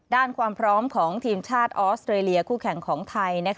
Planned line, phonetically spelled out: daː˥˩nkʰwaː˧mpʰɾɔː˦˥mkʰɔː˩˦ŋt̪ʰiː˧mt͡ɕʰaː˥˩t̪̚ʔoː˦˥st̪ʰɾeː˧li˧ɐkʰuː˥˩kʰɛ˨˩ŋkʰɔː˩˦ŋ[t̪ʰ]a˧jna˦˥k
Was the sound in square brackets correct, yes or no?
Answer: yes